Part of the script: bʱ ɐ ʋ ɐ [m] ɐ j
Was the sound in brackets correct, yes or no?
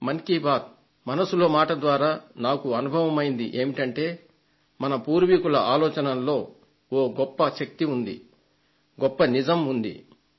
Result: yes